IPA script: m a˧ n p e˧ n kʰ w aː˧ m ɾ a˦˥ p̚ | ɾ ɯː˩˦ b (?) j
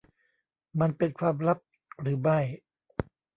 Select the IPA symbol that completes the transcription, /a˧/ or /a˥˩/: a˥˩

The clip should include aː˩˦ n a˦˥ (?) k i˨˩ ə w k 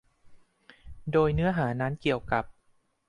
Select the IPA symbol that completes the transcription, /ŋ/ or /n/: n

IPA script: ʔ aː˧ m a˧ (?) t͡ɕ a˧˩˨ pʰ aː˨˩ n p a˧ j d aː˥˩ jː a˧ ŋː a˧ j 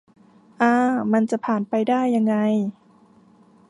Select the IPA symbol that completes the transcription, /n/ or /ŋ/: n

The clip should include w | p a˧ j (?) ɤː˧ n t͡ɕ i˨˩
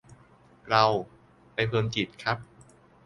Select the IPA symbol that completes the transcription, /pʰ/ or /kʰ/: pʰ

